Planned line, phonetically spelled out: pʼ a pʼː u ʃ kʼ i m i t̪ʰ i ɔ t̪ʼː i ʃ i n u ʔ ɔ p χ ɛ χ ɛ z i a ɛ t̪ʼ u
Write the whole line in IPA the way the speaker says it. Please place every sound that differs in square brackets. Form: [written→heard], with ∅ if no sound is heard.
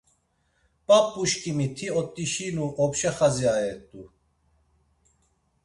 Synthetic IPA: pʼ a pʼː u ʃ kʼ i m i t̪ʰ i ɔ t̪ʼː i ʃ i n u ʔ ɔ p [χ→ʃ] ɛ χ [ɛ→a] z i a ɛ t̪ʼ u